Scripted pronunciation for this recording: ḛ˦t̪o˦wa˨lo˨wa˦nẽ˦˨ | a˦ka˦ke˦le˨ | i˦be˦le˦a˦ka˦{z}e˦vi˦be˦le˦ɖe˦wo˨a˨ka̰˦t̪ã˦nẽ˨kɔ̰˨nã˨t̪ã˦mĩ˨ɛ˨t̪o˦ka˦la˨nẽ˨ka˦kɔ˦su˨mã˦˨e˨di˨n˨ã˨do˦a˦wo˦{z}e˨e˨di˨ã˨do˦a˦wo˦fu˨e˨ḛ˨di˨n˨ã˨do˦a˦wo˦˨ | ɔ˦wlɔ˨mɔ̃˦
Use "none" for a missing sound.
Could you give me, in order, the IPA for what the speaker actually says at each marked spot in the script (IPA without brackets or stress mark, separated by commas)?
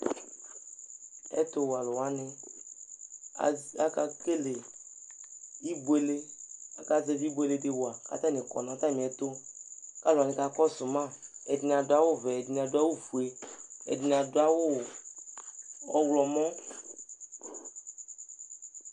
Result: z, v